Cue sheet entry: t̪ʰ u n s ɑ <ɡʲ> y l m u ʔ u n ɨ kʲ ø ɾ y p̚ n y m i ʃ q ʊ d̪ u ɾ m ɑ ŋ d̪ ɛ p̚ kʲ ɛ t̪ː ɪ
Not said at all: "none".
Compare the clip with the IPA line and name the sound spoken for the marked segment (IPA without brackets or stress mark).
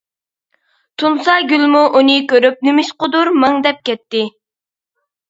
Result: ɡʲ